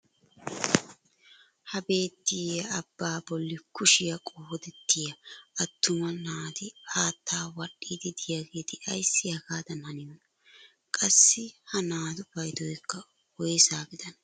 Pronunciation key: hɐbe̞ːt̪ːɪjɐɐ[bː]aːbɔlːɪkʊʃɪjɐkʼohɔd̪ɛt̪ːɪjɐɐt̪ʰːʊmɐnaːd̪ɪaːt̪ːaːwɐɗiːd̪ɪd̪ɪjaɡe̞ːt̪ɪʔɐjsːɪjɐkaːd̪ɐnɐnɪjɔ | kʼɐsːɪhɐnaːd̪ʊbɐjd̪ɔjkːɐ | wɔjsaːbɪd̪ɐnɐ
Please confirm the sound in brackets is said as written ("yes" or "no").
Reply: yes